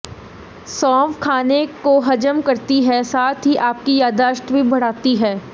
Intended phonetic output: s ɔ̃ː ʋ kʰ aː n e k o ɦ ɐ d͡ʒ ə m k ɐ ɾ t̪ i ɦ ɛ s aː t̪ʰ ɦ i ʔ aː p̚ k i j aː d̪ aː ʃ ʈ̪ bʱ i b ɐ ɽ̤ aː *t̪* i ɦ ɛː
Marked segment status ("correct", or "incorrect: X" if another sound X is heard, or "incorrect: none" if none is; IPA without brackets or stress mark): correct